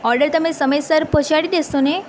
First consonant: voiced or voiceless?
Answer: voiced